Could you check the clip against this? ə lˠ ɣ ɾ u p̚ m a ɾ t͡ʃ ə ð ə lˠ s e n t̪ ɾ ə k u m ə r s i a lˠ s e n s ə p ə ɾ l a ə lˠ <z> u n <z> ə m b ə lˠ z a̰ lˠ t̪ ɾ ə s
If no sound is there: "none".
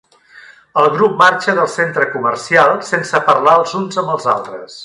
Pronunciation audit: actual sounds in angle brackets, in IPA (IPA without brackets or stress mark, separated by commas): z, z